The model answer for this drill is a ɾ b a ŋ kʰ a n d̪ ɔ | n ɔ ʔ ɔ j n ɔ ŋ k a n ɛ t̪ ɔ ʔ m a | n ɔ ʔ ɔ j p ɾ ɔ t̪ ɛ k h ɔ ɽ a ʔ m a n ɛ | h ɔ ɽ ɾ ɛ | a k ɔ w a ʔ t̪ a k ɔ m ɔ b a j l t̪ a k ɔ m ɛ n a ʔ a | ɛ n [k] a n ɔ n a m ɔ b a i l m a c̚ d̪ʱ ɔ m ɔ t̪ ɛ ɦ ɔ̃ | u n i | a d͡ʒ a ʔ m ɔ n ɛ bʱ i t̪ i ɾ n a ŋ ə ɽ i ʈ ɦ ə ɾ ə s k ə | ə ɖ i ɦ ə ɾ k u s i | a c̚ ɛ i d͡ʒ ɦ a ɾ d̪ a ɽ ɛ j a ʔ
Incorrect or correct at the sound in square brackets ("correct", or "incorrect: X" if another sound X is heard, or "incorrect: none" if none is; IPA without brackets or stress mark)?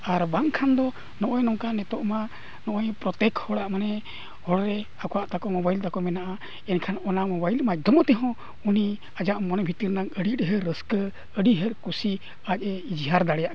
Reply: incorrect: kʰ